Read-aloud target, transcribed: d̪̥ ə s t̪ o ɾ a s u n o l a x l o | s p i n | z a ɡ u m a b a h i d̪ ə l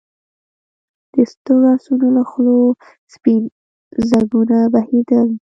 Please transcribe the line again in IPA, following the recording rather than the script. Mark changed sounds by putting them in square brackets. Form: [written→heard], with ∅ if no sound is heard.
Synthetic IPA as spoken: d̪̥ ə s t̪ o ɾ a s u n o l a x l o | s p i n | z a ɡ u [m→n] a b a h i d̪ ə l